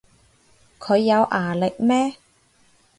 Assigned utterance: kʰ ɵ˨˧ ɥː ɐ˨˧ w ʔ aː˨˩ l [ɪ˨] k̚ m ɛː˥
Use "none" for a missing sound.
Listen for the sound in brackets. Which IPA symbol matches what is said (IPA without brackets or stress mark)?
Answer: ɪ˨